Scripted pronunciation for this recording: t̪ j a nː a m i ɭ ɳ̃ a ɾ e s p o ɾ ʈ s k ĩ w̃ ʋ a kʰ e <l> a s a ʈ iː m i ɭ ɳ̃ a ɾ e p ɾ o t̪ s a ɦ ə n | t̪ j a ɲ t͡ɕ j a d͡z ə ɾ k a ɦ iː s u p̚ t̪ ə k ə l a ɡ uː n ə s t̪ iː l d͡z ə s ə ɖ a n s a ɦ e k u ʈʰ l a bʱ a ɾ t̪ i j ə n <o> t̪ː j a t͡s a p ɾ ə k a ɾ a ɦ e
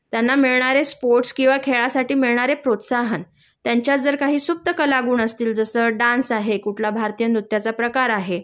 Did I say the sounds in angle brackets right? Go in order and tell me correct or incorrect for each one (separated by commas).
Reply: incorrect, incorrect